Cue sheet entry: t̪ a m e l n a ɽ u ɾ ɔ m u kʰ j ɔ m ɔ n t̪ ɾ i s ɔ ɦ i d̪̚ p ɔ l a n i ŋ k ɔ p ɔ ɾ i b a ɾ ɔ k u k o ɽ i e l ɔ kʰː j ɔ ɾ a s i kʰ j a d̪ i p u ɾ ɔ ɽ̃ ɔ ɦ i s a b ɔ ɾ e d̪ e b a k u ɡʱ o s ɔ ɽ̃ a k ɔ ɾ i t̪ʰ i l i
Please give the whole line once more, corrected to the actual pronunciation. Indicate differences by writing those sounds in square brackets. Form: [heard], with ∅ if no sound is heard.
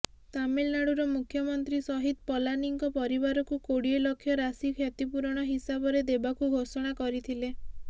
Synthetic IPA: t̪ a m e l n a ɽ u ɾ ɔ m u kʰ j ɔ m ɔ n t̪ ɾ i s ɔ ɦ i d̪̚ p ɔ l a n i ŋ k ɔ p ɔ ɾ i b a ɾ ɔ k u k o ɽ i e l ɔ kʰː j ɔ ɾ a s i kʰ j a [t̪] i p u ɾ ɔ ɽ̃ ɔ ɦ i s a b ɔ ɾ e d̪ e b a k u ɡʱ o s ɔ ɽ̃ a k ɔ ɾ i t̪ʰ i l [e]